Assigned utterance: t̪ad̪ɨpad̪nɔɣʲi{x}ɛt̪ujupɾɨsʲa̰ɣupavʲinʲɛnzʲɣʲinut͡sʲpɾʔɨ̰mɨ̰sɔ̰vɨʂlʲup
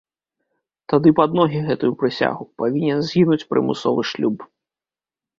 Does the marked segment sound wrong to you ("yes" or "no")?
yes